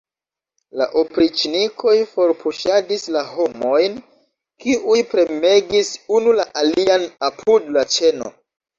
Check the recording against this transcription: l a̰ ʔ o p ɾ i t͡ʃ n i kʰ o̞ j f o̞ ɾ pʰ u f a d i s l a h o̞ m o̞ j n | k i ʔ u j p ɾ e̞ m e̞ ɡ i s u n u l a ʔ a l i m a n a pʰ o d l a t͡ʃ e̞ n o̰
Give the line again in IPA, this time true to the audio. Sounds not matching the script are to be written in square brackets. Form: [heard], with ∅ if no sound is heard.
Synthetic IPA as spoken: l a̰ ʔ o p ɾ i t͡ʃ n i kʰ o̞ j f o̞ ɾ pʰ u [ʃ] a d i s l a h o̞ m o̞ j n | k i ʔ u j p ɾ e̞ m e̞ ɡ i s u n u l a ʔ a l i [∅] a n a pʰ [u] d l a t͡ʃ e̞ n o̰